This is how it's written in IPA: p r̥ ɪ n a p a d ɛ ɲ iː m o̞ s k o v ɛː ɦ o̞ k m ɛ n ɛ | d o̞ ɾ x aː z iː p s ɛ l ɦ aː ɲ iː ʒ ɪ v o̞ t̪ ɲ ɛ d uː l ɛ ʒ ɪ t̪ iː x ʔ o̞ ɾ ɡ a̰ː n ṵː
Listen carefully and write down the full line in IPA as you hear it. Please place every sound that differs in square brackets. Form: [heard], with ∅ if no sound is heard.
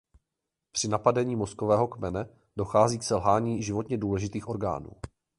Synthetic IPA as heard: p r̥ ɪ n a p a d ɛ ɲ iː m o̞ s k o v ɛː ɦ o̞ k m ɛ n ɛ | d o̞ [∅] x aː z iː [k] s ɛ l ɦ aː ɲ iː ʒ ɪ v o̞ t̪ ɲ ɛ d uː l ɛ ʒ ɪ t̪ iː x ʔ o̞ ɾ ɡ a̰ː n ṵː